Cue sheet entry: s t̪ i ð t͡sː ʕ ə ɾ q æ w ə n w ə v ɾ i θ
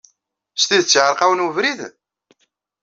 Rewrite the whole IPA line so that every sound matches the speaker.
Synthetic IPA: s t̪ i ð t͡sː ʕ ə ɾ q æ w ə n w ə v ɾ i ð